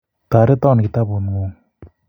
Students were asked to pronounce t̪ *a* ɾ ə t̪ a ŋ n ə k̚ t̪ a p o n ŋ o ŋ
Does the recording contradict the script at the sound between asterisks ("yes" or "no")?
no